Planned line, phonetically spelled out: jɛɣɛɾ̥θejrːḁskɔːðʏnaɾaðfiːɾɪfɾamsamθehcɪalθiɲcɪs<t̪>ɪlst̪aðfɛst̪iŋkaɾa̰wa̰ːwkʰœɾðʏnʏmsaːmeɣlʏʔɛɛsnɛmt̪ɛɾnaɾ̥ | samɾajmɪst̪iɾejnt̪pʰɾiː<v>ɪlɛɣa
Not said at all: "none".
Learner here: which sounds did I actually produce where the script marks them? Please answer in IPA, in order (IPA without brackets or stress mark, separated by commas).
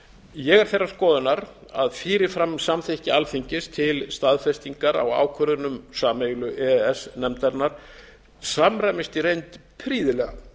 t̪ʰ, ð